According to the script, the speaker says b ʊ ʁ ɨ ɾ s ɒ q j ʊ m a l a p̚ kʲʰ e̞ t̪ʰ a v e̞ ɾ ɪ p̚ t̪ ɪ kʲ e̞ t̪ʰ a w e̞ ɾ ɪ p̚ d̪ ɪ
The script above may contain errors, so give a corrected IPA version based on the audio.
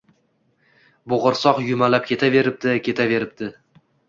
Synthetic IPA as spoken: b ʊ ʁ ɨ ɾ s ɒ q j ʊ m a l a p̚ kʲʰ e̞ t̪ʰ a v e̞ ɾ ɪ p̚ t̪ ɪ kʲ e̞ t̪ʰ a v e̞ ɾ ɪ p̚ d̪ ɪ